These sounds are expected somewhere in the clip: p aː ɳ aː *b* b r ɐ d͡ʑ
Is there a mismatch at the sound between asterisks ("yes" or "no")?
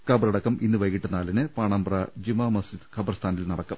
yes